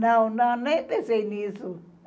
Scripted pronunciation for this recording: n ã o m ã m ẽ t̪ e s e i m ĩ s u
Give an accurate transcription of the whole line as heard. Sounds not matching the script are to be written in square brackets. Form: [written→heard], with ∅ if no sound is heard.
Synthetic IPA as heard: n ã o [m→n] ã [m→n] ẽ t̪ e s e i [m→n] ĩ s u